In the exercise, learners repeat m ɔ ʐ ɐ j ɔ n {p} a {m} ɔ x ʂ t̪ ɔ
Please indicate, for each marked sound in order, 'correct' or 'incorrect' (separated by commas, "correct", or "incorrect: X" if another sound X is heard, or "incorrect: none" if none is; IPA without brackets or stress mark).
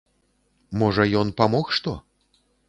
correct, correct